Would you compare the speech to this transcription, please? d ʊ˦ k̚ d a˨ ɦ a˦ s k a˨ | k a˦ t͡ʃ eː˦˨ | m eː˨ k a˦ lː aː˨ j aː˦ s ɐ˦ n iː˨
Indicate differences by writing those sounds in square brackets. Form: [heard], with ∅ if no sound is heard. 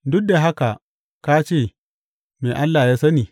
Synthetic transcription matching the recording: d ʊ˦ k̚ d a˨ ɦ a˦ [∅] k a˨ | k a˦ t͡ʃ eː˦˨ | m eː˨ [ʔ] a˦ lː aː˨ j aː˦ s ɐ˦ n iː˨